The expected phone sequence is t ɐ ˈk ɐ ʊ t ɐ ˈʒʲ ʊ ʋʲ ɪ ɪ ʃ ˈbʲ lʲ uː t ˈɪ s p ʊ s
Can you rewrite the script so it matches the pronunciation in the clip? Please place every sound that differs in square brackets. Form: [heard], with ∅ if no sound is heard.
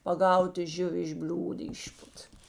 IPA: [p] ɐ [ˈɡ] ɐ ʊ t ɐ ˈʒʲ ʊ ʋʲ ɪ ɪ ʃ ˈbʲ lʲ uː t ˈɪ [ʃ] p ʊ [t]